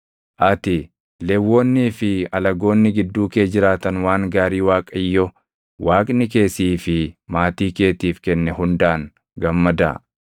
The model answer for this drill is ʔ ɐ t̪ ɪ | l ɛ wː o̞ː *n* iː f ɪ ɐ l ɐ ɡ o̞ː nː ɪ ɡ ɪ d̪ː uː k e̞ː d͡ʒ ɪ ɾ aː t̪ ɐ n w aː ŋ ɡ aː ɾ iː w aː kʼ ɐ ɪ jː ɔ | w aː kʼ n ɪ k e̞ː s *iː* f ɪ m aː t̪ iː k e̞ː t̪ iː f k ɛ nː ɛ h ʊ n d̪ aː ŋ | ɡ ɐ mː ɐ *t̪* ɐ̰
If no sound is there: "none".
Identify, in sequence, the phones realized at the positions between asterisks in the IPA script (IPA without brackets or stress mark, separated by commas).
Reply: nː, iː, d̪